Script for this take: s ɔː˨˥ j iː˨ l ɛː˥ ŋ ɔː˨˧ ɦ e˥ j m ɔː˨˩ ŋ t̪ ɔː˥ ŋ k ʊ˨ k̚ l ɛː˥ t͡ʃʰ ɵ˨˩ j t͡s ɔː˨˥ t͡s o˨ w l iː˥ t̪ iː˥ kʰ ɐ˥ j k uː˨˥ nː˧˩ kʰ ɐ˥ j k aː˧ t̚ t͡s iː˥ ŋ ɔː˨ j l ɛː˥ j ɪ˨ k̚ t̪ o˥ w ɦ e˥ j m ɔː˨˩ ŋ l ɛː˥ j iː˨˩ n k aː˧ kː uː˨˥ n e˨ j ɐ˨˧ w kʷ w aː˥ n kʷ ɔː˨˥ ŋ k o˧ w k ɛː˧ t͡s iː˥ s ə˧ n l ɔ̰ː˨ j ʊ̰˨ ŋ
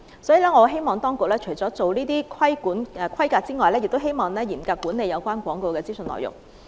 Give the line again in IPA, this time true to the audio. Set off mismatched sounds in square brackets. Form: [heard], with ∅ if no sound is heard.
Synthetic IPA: s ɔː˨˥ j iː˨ l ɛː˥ ŋ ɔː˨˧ ɦ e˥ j m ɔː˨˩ ŋ t̪ ɔː˥ ŋ k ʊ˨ k̚ l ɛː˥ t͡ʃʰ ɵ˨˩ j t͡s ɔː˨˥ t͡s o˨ w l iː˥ t̪ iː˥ kʰ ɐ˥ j k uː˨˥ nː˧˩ kʰ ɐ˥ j k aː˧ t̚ t͡s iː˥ ŋ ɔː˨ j l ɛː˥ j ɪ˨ k̚ t̪ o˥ w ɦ e˥ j m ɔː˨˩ ŋ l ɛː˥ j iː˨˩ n k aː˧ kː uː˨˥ n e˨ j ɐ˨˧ w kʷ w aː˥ n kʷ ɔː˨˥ ŋ k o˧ w k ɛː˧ t͡s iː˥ s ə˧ n l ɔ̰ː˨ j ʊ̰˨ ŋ